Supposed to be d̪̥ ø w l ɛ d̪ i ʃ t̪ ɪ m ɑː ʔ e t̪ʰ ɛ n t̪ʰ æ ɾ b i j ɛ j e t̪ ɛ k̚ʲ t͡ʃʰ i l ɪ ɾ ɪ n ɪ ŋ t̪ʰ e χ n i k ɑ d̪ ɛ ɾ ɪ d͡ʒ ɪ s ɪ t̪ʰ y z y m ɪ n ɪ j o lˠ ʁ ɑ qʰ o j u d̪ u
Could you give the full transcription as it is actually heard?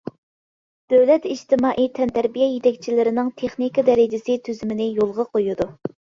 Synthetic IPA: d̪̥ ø w l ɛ t̪ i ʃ t̪ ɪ m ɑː ʔ i t̪ʰ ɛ n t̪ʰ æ ɾ b i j ɛ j e t̪ ɛ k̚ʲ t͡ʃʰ i l ɪ ɾ ɪ n ɪ ŋ t̪ʰ e χ n i k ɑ d̪ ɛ ɾ ɪ d͡ʒ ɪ s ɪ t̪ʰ y z y m ɪ n ɪ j o lˠ ʁ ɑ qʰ o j u d̪ u